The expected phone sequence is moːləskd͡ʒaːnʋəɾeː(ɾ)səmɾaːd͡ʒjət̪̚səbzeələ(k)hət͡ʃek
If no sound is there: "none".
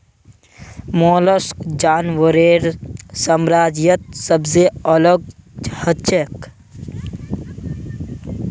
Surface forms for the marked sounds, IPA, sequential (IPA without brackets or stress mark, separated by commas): ɾ, ɡ